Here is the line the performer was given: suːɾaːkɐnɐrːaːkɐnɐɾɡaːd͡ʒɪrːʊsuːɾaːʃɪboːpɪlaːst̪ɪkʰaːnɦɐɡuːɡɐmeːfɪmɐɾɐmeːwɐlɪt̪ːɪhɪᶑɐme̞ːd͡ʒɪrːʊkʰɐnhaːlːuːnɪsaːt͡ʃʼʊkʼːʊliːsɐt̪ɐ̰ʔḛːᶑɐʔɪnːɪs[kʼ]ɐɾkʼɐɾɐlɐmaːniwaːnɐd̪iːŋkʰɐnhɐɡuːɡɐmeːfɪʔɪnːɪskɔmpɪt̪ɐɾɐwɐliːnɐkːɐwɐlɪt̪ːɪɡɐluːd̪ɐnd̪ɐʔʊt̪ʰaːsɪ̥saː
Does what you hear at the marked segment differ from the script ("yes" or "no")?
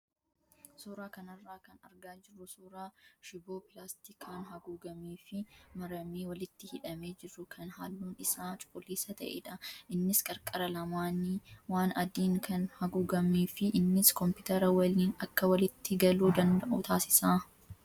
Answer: no